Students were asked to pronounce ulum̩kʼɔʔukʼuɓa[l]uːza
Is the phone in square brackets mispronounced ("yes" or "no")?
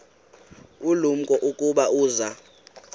yes